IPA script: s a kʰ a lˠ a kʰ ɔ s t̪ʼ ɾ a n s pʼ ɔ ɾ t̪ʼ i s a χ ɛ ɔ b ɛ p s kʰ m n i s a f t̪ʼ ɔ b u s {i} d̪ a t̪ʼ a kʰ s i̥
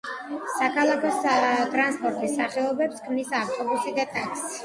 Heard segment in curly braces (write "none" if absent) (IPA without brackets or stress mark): i